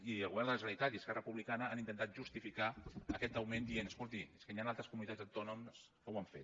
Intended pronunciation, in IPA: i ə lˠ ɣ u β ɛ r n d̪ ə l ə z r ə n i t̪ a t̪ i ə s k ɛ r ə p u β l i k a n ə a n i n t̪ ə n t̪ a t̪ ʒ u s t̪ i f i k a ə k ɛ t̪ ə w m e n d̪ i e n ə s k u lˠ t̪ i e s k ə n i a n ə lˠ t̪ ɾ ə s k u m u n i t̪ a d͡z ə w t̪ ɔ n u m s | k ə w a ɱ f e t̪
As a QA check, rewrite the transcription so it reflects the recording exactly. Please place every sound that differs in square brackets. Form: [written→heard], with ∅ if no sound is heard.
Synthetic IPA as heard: i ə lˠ ɣ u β ɛ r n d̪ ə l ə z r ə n i t̪ a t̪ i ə s k ɛ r ə p u β l i k a n ə a n i n t̪ ə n t̪ a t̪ ʒ u s t̪ i f i k a ə k ɛ t̪ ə w m e n d̪ i e n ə s k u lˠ t̪ i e s k ə n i a n [ə→a] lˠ t̪ ɾ ə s k u m u n i t̪ a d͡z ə w t̪ ɔ n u m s | k ə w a ɱ f e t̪

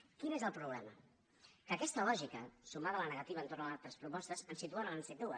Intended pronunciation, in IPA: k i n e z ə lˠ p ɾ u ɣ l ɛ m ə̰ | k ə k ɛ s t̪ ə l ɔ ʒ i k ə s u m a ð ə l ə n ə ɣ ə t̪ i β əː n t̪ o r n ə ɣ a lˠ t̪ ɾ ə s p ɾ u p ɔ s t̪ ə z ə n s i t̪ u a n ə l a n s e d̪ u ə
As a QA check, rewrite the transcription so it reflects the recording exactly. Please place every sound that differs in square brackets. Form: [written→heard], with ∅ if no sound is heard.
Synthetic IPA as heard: k i n e z ə lˠ p ɾ u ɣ l ɛ m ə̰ | k ə k ɛ s t̪ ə l ɔ ʒ i k ə s u m a ð ə l ə n ə ɣ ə t̪ i β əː n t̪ o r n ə [ɣ→∅] a lˠ t̪ ɾ ə s p ɾ u p ɔ s t̪ ə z ə n s i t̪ u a n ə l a n s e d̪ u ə

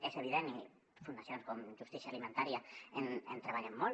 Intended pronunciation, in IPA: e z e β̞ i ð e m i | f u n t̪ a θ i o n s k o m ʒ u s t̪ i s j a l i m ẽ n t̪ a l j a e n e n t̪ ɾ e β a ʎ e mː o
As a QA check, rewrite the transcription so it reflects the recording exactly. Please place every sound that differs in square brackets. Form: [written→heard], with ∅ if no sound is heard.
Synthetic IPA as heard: e [z→s] e β̞ i ð e [m→n] i | f u n [t̪→d̪] a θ [i→j] o n s k o m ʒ u s t̪ i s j a l i m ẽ n t̪ a [l→ɾ] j a e n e n t̪ ɾ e β a ʎ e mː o

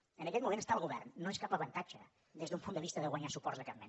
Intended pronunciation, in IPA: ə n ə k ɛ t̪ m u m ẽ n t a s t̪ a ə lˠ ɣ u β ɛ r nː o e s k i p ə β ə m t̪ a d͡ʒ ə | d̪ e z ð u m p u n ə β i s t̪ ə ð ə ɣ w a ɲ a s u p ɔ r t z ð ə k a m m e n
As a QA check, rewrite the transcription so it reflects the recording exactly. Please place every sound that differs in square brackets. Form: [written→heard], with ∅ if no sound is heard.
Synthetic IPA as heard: ə n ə k ɛ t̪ m u m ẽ n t [a→ə] s t̪ a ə lˠ ɣ u β ɛ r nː o e s k [i→a] p ə β ə [m→n] t̪ a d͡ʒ ə | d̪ e z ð u m p u n ə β i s t̪ ə ð ə ɣ w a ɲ a s u p ɔ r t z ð ə k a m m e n

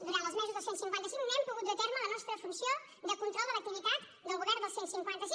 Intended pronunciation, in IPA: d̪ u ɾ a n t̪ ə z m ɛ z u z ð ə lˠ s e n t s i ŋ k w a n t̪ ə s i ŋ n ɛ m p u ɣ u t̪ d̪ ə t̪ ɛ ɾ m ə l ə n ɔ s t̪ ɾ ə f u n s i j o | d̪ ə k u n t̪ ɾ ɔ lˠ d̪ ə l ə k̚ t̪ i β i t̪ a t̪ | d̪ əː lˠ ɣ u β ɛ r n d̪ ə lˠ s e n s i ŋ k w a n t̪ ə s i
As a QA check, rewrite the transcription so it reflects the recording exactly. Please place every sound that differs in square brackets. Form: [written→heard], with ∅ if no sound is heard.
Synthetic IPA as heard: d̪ u ɾ a n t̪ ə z m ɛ z u z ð ə lˠ s e n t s i ŋ k w a n t̪ ə s i ŋ n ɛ m p u ɣ u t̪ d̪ ə t̪ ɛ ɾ m ə l ə n ɔ s t̪ ɾ ə f u n s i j o | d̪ ə k u n t̪ ɾ ɔ lˠ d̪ ə l ə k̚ t̪ i β i t̪ a t̪ | d̪ [əː→ə] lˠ ɣ u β ɛ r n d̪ ə lˠ s e n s i ŋ k w a n t̪ ə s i

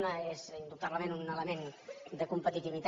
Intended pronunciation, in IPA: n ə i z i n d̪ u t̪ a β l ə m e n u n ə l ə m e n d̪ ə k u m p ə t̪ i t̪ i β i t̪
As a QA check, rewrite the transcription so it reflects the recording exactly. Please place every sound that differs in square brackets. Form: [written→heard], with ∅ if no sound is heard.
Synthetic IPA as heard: n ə [i→e] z i n d̪ u t̪ a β l ə m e n u n ə l ə m e n d̪ ə k u m p ə t̪ i t̪ i β i t̪

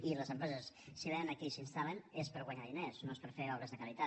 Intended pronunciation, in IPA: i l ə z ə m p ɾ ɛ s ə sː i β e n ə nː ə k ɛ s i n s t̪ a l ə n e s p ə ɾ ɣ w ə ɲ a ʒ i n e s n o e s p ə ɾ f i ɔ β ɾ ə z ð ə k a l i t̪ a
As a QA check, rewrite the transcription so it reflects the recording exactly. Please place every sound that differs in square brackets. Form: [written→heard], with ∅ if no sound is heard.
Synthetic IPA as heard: i l ə z ə m p ɾ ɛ [s→z] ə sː i β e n ə [nː→n] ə k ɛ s i n s t̪ a l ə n e s p ə ɾ ɣ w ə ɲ a [ʒ→ð] i n e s n o e s p ə ɾ f [i→e] ɔ β ɾ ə z ð ə k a l i t̪ a

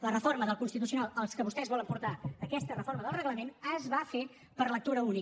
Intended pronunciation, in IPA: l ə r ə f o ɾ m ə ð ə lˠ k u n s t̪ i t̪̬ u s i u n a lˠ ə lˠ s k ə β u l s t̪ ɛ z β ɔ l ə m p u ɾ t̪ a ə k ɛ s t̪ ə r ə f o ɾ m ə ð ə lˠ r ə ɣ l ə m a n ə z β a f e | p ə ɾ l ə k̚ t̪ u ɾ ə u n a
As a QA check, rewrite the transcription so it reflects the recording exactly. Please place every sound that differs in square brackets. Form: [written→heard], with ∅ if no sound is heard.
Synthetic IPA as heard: l ə r ə f o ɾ m ə ð ə lˠ k u n s t̪ i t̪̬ u s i u n a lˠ ə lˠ s k ə β u [l→∅] s t̪ ɛ z β ɔ l ə m p u ɾ t̪ a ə k ɛ s t̪ ə r ə f o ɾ m ə ð ə lˠ r ə ɣ l ə m [a→e] n ə z β a f e | p ə ɾ l ə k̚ t̪ u ɾ ə u n [a→i]

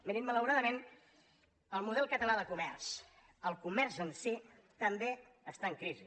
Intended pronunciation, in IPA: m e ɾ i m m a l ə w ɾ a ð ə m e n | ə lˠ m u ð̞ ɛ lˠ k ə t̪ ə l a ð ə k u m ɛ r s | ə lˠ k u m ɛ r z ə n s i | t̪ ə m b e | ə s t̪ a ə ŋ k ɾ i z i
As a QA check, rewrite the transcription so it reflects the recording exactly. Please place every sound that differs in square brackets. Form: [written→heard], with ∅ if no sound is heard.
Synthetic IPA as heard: m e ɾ i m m [a→ə] l ə w ɾ a ð ə m e n | ə lˠ m u ð̞ ɛ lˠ k ə t̪ ə l a ð ə k u m ɛ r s | ə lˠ k u m ɛ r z ə n s i | t̪ ə m b e | ə s t̪ a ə ŋ k ɾ i z i

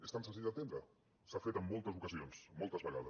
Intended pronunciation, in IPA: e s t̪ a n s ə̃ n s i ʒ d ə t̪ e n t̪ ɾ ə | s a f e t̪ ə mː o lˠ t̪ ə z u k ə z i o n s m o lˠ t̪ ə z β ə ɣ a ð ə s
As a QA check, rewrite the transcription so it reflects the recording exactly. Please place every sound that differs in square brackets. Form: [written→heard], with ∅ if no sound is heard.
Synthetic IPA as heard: e s t̪ a n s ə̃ n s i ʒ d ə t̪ e n [t̪→d̪] ɾ ə | s a f e t̪ ə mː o lˠ t̪ ə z u k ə z i o n s m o lˠ t̪ ə z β ə ɣ a ð ə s

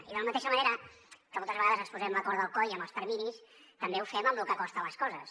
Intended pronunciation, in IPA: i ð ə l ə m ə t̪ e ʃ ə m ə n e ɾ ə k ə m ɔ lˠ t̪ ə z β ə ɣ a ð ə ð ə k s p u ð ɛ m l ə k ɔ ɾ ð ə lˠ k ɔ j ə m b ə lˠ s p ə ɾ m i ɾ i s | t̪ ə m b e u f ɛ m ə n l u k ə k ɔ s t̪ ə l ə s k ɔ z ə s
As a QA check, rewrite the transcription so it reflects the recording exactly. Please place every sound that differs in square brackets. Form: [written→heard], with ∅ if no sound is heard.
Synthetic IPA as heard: i ð ə l ə m ə t̪ e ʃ ə m ə n e ɾ ə k ə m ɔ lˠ t̪ ə z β ə ɣ a ð ə [ð→z] ə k s p u [ð→z] ɛ m l ə k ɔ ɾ ð ə lˠ k ɔ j ə m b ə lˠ s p ə ɾ m i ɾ i s | t̪ ə m b e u f ɛ m ə [n→m] l u k ə k ɔ s t̪ ə l ə s k ɔ z ə s

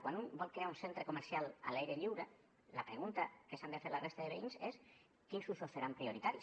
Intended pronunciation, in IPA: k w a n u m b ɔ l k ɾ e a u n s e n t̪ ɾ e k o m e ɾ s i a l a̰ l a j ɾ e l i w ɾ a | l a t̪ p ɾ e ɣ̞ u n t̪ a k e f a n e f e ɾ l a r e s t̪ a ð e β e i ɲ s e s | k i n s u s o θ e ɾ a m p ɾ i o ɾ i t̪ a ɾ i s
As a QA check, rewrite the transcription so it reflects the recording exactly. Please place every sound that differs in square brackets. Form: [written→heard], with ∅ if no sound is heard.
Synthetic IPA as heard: k w a n u m b ɔ l k ɾ e a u n s e n t̪ ɾ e k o m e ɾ s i a l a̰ l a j ɾ e [l→ʎ] i w ɾ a | l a [t̪→∅] p ɾ e ɣ̞ u n t̪ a k e [f→s] a n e f e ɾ l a r e s t̪ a ð e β e i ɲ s e s | k i n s u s o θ e ɾ a m p ɾ i o ɾ i t̪ a ɾ i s

